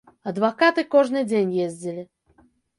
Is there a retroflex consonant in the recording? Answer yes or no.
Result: yes